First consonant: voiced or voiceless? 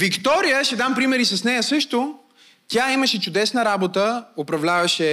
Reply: voiced